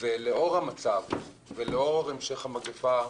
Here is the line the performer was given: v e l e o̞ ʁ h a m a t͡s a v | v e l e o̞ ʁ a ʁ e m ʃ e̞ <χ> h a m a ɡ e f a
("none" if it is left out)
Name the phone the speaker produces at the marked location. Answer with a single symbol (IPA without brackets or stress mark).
χ